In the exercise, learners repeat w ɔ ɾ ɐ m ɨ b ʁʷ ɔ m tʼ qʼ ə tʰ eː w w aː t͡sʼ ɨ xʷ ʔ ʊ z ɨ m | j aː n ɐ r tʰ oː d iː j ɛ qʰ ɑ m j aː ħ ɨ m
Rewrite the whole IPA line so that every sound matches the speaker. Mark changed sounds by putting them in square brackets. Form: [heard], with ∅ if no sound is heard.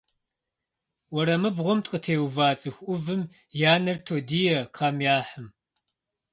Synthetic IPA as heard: w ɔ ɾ ɐ m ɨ b ʁʷ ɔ m tʼ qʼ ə tʰ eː w [v] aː t͡sʼ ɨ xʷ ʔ ʊ [v] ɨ m | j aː n ɐ r tʰ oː d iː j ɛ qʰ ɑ m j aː ħ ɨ m